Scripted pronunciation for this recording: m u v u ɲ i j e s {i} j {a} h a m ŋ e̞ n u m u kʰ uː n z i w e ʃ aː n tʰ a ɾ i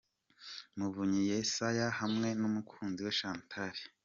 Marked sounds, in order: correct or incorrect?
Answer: incorrect: a, correct

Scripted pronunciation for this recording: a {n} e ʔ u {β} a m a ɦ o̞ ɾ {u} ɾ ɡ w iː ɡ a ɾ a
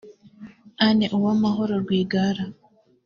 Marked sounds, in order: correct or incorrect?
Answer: correct, incorrect: w, incorrect: o

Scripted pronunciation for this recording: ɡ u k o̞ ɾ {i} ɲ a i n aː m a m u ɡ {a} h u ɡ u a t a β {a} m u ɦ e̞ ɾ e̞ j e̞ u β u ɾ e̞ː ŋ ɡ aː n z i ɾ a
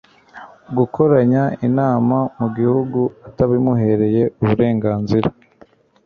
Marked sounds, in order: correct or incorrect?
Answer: incorrect: a, incorrect: i, incorrect: i

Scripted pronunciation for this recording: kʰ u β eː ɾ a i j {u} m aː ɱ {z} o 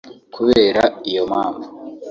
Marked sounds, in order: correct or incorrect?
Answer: incorrect: o, incorrect: v

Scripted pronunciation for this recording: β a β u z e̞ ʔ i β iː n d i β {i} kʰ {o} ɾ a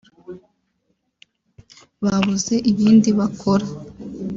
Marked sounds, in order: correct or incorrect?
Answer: incorrect: a, correct

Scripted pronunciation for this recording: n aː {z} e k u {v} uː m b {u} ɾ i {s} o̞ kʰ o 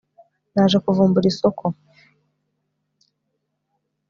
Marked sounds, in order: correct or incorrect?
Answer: incorrect: ʒ, correct, correct, correct

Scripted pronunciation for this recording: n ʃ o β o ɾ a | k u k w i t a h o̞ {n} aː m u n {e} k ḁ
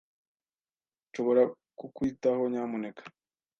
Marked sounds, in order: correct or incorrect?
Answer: incorrect: ɲ, correct

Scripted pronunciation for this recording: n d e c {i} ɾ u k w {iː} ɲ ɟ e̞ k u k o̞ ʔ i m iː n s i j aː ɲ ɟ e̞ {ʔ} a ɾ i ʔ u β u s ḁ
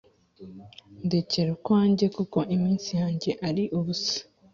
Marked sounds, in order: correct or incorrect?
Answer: incorrect: e, incorrect: aː, correct

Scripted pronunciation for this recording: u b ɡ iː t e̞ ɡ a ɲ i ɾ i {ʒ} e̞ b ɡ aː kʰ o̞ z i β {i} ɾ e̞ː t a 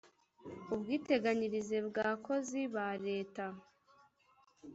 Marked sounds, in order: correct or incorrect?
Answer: incorrect: z, incorrect: a

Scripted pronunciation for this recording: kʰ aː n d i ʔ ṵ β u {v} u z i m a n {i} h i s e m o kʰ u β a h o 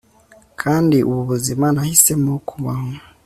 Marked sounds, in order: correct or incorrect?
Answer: incorrect: β, incorrect: a

